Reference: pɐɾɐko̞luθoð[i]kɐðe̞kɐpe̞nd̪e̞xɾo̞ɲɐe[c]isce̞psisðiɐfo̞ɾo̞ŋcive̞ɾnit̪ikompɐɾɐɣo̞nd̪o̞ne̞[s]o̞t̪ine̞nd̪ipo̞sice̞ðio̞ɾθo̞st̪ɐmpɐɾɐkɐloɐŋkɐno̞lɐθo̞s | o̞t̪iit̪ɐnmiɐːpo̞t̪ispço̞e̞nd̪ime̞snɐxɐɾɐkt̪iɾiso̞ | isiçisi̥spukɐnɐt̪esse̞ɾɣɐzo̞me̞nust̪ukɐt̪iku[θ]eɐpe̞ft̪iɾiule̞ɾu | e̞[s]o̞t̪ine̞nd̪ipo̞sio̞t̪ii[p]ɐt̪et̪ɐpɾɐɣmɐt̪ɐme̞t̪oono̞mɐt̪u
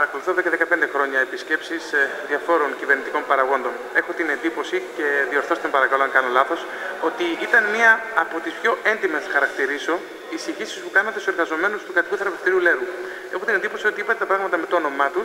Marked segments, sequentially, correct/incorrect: incorrect: e, incorrect: p, incorrect: x, correct, incorrect: x, correct

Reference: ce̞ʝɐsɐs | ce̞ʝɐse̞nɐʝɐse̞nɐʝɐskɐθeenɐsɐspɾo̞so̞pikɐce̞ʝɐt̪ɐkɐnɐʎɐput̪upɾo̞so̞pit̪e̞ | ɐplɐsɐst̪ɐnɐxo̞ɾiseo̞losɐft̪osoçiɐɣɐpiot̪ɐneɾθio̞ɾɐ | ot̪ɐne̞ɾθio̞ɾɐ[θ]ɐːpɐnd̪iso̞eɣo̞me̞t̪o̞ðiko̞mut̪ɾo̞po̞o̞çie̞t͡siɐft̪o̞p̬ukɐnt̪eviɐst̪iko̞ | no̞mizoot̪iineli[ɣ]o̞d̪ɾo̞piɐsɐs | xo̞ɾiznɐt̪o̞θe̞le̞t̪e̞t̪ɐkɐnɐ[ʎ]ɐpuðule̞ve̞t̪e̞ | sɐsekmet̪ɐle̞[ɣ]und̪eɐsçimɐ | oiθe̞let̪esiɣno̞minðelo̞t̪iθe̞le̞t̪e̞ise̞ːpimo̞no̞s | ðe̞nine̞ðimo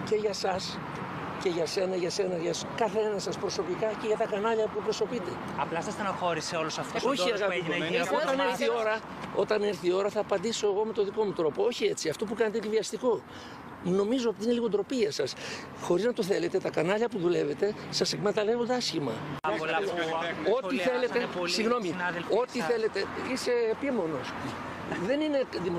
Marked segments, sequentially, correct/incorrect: correct, correct, correct, incorrect: v

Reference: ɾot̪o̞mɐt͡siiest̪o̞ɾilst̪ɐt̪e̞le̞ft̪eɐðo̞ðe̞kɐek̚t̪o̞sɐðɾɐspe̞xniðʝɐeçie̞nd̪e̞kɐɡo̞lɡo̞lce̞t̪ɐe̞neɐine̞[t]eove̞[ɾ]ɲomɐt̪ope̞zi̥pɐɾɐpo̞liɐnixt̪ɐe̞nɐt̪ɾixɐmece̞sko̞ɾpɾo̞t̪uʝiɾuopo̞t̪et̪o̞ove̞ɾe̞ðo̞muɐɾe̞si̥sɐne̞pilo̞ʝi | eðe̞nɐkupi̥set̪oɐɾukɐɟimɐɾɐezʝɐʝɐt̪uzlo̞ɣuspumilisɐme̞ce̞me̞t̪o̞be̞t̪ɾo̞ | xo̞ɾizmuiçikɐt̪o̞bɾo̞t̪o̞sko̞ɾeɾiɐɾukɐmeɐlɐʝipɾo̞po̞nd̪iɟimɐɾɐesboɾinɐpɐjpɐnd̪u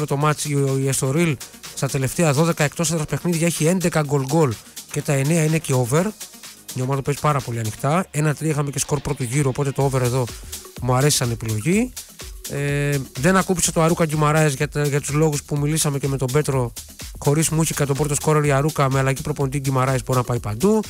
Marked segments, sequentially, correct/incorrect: incorrect: c, correct

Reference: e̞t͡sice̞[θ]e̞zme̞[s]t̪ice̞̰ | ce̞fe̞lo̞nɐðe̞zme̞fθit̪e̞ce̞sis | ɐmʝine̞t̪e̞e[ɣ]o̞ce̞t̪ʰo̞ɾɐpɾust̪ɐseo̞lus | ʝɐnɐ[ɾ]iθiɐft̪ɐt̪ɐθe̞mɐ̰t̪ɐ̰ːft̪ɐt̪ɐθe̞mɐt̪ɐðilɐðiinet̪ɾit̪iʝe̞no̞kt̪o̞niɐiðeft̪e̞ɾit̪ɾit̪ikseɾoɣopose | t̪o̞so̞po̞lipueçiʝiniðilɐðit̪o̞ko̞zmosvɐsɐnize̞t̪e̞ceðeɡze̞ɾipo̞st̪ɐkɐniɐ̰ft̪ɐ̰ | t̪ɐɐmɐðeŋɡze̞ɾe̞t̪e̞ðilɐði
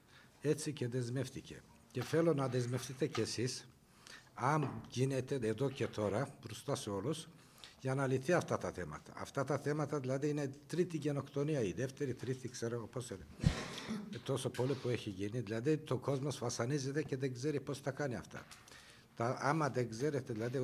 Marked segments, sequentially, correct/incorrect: incorrect: ð, incorrect: f, incorrect: ð, incorrect: l

